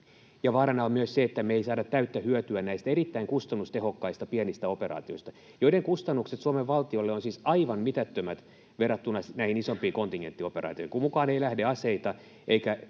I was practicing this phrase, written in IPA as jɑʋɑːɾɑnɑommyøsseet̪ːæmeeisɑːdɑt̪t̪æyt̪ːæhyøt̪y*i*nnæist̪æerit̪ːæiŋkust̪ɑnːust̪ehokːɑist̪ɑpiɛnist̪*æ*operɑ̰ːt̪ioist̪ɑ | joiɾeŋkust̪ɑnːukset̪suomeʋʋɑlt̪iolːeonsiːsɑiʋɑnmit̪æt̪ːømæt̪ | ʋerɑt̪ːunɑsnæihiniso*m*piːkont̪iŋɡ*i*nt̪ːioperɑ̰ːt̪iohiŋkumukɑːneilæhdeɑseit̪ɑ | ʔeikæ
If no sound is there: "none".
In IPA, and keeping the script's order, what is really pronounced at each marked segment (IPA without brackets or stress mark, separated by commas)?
æ, æ, m, e